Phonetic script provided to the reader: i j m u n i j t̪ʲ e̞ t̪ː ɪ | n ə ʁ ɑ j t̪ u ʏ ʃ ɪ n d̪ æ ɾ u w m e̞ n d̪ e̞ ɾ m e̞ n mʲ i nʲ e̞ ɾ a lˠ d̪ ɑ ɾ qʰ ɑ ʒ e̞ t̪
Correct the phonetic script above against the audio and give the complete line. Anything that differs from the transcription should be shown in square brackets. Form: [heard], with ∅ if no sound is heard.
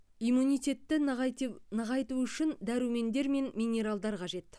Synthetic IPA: i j m u n i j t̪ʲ e̞ t̪ː ɪ | n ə ʁ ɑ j t̪ u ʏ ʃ ɪ n d̪ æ ɾ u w m e̞ n d̪ e̞ ɾ m e̞ n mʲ i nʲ e̞ ɾ a lˠ d̪ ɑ ɾ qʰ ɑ ʒ e̞ t̪